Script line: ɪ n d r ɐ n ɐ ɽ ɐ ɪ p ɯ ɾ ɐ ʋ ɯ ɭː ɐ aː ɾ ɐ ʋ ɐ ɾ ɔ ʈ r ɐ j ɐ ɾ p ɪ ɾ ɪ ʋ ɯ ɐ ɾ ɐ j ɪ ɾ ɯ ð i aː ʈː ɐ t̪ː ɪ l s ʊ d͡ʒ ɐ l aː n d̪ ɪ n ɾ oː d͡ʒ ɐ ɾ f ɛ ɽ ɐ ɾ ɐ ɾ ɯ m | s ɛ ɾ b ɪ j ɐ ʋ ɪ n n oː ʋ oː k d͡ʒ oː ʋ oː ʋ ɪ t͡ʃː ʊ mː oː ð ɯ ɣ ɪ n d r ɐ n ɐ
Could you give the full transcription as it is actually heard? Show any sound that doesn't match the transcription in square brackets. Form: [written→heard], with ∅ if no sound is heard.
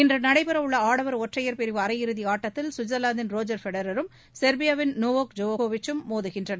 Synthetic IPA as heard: ɪ n d r ɐ n ɐ ɽ ɐ ɪ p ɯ ɾ ɐ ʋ ɯ ɭː ɐ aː [ɾ→ɽ] ɐ ʋ ɐ ɾ ɔ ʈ r ɐ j ɐ ɾ p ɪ ɾ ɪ ʋ ɯ ɐ ɾ ɐ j ɪ ɾ ɯ ð i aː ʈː ɐ t̪ː ɪ l s ʊ d͡ʒ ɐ l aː n d̪ ɪ n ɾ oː d͡ʒ ɐ ɾ f ɛ ɽ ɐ ɾ ɐ ɾ ɯ m | s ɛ ɾ b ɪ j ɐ ʋ ɪ n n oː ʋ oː k d͡ʒ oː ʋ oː ʋ ɪ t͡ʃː [ʊ→ɯ] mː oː ð ɯ ɣ ɪ n d r ɐ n ɐ